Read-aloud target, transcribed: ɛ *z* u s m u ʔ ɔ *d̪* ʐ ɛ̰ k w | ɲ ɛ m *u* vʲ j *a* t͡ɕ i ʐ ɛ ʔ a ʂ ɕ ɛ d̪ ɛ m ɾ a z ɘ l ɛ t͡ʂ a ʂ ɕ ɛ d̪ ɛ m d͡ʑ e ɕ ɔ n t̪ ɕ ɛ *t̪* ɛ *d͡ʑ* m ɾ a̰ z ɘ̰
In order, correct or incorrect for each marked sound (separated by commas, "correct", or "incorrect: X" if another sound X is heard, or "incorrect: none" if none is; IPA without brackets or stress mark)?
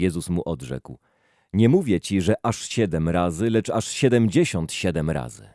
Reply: correct, correct, correct, incorrect: ɛ, incorrect: d̪, incorrect: none